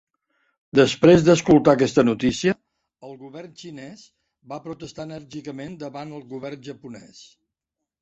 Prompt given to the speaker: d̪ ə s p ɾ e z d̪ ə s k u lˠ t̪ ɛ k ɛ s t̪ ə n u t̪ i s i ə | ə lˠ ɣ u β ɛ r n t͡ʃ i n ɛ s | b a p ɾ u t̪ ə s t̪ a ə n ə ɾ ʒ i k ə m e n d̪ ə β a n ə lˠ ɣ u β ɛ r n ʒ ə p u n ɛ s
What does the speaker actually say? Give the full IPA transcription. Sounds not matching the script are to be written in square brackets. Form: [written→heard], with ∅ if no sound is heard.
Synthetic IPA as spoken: d̪ ə s p ɾ e z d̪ ə s k u lˠ t̪ [ɛ→a] k ɛ s t̪ ə n u t̪ i s i ə | ə lˠ ɣ u β ɛ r n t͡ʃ i n ɛ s | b a p ɾ u t̪ ə s t̪ a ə n ə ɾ ʒ i k ə m e n d̪ ə β a n ə lˠ ɣ u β ɛ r n ʒ ə p u n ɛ s

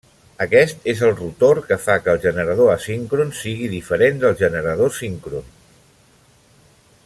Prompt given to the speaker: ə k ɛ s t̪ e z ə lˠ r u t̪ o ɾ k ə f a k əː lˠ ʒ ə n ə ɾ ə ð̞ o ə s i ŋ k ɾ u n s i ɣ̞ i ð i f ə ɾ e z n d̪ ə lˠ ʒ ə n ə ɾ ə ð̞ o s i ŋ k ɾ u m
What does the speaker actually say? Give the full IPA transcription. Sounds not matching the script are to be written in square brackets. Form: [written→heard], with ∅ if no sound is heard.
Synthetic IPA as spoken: ə k ɛ s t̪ e z ə lˠ r u t̪ o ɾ k ə f a k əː lˠ ʒ ə n ə ɾ ə ð̞ o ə s i ŋ k ɾ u n s i ɣ̞ i ð i f ə ɾ e [z→∅] n d̪ ə lˠ ʒ ə n ə ɾ ə ð̞ o s i ŋ k ɾ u [m→n]

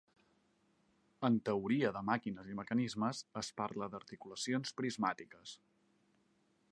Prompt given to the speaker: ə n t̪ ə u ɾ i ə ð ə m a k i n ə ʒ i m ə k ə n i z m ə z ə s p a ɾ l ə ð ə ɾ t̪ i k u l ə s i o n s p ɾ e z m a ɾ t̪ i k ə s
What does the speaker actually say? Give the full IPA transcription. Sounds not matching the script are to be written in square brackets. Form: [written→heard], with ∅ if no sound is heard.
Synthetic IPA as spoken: ə n t̪ ə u ɾ i ə ð ə m a k i n ə [ʒ→z] i m ə k ə n i z m ə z ə s p a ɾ l ə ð ə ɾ t̪ i k u l ə s i o n s p ɾ [e→i] z m a [ɾ→∅] t̪ i k ə s

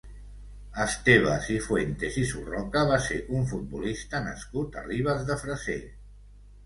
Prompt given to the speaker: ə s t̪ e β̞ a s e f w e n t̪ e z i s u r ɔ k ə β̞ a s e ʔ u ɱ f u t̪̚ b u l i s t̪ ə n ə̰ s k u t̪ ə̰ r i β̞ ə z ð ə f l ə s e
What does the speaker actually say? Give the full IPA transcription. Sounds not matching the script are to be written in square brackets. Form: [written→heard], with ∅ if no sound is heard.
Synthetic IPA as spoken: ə s t̪ e β̞ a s [e→i] f w e n t̪ e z i s u r ɔ k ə β̞ a s e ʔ u ɱ f u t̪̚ b u l i s t̪ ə n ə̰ s k u t̪ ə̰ r i β̞ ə z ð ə f [l→ɾ] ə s e

